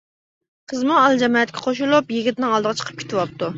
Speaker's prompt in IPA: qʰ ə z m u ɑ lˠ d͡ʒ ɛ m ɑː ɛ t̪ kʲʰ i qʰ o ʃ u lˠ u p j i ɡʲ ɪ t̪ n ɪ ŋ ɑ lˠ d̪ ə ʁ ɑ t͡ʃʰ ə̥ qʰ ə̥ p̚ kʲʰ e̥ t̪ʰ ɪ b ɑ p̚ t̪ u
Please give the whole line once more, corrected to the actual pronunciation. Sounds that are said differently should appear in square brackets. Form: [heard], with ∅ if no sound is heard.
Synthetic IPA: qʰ ə z m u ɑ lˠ d͡ʒ ɛ m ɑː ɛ t̪ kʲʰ [ɛ] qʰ o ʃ u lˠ u p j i ɡʲ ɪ t̪ n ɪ ŋ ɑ lˠ d̪ ə ʁ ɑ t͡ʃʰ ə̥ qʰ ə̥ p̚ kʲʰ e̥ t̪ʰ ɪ [w] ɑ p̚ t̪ u